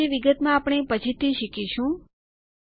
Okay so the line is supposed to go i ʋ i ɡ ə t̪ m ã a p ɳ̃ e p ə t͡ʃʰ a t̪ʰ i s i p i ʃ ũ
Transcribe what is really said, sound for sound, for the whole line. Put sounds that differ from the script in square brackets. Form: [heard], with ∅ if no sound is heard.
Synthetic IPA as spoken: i ʋ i ɡ ə t̪ m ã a p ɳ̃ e p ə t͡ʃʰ [i] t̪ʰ i [ʃ] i [k] i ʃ ũ